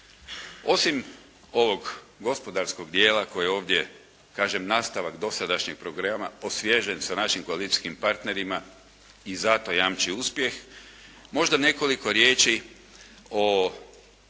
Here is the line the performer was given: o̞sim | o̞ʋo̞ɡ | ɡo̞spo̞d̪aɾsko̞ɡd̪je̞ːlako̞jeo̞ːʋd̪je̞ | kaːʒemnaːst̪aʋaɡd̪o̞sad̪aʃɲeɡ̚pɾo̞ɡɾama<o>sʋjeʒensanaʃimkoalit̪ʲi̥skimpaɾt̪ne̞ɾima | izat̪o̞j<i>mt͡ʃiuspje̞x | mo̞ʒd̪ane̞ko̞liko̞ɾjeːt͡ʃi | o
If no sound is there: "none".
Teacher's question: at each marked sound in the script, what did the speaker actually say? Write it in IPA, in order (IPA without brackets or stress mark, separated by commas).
o, a